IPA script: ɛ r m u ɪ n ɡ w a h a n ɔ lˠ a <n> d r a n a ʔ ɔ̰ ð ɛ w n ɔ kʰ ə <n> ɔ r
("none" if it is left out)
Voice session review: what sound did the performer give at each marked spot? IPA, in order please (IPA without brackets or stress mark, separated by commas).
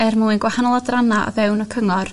none, ŋ